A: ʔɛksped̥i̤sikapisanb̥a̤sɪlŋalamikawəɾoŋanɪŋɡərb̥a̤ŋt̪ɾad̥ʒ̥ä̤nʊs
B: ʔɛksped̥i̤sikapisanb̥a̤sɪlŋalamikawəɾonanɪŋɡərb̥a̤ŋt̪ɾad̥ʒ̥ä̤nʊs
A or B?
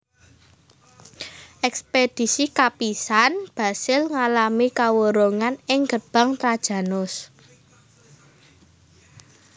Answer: A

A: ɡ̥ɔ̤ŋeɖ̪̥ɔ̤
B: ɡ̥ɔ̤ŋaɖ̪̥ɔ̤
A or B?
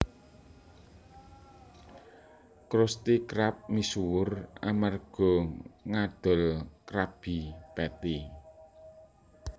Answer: B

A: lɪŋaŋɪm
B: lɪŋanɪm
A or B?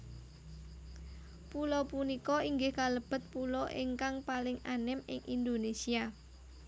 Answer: B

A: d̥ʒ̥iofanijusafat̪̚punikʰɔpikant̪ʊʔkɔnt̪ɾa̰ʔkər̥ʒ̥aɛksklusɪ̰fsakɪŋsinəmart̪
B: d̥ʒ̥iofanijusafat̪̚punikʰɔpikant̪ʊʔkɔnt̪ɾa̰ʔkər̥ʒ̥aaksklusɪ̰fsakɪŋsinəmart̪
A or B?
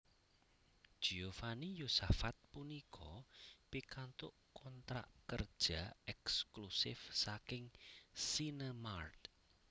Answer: A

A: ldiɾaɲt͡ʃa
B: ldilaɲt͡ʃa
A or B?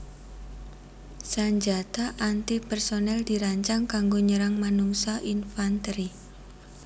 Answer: A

